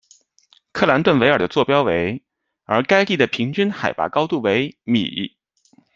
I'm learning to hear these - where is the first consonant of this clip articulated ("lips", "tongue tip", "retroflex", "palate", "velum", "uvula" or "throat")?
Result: velum